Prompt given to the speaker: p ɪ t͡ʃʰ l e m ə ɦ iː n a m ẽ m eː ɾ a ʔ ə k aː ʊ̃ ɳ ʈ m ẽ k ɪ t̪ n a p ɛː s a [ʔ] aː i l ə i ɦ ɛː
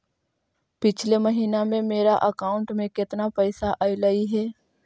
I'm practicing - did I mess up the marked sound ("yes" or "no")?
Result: no